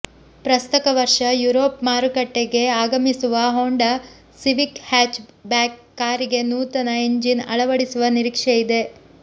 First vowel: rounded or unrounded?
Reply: unrounded